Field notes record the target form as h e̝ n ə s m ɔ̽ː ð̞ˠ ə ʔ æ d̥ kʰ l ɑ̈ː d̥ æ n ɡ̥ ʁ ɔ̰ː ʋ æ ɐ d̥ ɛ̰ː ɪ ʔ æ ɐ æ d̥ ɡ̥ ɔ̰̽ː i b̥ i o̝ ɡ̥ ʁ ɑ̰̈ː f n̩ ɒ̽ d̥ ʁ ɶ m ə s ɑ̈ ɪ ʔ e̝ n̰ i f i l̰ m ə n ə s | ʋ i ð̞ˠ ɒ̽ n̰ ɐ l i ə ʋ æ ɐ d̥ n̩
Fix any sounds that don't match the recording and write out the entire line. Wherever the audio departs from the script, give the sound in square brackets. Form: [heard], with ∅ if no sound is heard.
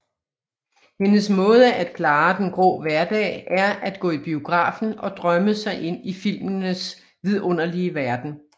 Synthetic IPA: h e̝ n ə s m ɔ̽ː ð̞ˠ ə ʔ æ d̥ kʰ l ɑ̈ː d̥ [e] n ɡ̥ ʁ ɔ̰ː ʋ æ ɐ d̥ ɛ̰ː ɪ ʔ æ ɐ æ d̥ ɡ̥ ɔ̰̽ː i b̥ i o̝ ɡ̥ ʁ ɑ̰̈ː f n̩ ɒ̽ d̥ ʁ ɶ m ə s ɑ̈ ɪ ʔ e̝ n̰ i f i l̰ m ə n ə s | ʋ i ð̞ˠ [ɔ̽] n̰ ɐ l i ə ʋ æ ɐ d̥ n̩